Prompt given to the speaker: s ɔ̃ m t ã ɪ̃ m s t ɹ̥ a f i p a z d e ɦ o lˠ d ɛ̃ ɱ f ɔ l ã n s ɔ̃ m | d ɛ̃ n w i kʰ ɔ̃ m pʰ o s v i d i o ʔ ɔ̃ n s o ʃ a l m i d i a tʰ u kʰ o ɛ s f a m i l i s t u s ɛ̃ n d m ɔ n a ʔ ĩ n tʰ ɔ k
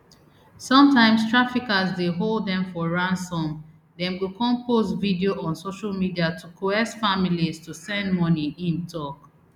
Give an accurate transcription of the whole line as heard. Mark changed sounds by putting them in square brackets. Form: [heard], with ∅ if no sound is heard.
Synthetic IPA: s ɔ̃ m t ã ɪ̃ m s t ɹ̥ a f i [k] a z d e ɦ o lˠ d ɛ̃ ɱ f ɔ [ɹ] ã n s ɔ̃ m | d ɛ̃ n w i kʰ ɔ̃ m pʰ o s v i d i o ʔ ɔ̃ n s o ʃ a l m i d i a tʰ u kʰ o ɛ s f a m i l i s t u s ɛ̃ n d m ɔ n [i] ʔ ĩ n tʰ ɔ k